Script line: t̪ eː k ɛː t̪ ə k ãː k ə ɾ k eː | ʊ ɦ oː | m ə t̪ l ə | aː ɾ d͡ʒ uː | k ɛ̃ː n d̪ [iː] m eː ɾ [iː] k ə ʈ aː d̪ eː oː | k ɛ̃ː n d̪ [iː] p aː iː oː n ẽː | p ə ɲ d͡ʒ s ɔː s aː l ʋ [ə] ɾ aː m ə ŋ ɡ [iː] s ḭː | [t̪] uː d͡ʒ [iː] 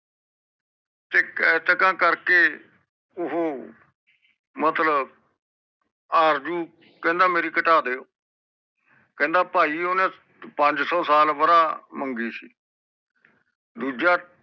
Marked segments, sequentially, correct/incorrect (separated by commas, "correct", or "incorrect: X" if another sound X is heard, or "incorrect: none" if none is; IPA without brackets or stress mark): incorrect: aː, correct, incorrect: aː, correct, correct, incorrect: d̪, incorrect: aː